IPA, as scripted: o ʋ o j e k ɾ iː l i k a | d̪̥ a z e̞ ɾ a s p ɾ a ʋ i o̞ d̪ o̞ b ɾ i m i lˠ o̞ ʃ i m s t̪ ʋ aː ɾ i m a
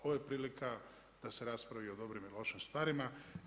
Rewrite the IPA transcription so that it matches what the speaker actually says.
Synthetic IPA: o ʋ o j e p ɾ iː l i k a | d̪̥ a s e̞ ɾ a s p ɾ a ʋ i o̞ d̪ o̞ b ɾ i m i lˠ o̞ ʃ i m s t̪ ʋ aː ɾ i m a